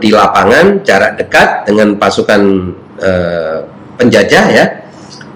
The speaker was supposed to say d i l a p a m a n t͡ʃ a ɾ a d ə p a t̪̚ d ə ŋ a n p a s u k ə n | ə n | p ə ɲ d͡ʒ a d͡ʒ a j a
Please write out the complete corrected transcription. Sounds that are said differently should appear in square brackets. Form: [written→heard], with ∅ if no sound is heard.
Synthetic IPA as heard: d i l a p a [m→ŋ] a n t͡ʃ a ɾ a d ə [p→k] a t̪̚ d ə ŋ a n p a s u k [ə→a] n | ə [n→∅] | p ə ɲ d͡ʒ a d͡ʒ a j a